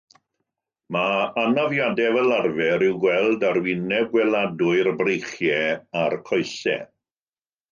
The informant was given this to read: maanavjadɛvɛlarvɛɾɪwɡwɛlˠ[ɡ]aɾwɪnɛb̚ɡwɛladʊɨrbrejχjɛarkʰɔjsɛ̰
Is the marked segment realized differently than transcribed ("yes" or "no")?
yes